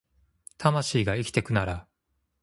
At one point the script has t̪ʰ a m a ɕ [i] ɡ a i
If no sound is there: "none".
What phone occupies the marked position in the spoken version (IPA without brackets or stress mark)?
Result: iː